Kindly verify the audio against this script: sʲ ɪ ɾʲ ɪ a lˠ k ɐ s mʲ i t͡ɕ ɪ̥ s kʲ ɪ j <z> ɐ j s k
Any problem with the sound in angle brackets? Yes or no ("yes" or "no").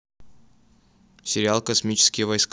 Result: yes